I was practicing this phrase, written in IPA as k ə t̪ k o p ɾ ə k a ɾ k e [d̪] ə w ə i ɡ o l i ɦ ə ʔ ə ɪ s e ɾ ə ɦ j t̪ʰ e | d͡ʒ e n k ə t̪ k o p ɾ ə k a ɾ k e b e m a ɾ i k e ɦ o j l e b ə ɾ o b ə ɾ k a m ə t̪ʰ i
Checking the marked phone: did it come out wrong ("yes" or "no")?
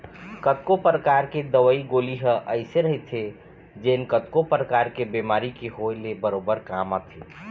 no